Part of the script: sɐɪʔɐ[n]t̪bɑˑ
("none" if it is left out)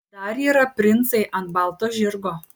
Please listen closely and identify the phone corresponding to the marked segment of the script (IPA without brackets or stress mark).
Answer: n